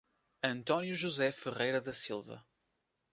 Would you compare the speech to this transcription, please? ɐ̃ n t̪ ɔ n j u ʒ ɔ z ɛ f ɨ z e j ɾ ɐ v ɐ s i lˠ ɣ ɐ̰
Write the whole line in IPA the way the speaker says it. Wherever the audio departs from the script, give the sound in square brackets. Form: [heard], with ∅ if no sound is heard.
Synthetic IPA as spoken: ɐ̃ n t̪ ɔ n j u ʒ [u] z ɛ f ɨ [ʁ] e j ɾ ɐ [ð] ɐ s i lˠ [v] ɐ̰